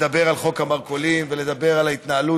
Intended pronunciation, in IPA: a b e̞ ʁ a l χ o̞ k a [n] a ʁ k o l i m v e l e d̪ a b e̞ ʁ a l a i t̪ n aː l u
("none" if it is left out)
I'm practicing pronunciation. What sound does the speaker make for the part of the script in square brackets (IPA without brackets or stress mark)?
m